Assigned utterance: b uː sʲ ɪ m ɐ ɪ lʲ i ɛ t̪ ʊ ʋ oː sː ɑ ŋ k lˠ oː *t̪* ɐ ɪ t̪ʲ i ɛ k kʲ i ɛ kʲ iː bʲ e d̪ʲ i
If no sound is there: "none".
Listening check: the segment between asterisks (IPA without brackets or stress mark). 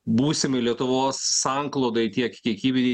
d̪